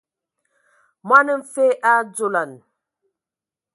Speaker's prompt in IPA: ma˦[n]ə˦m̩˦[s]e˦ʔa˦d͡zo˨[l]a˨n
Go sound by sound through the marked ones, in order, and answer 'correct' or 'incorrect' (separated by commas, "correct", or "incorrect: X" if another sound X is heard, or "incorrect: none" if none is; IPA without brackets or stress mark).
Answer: correct, incorrect: f, correct